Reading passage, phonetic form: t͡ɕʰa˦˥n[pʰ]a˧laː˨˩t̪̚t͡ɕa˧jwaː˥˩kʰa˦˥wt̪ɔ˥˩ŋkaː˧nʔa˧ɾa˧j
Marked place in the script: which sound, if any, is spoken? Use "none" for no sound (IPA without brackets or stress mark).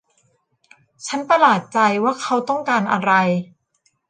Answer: p